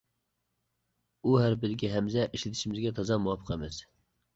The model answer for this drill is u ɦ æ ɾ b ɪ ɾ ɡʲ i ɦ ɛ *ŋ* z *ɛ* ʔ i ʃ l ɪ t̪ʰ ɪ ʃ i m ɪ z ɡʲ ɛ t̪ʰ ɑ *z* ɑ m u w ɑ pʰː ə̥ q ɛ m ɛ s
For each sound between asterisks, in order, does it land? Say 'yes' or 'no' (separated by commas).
no, yes, yes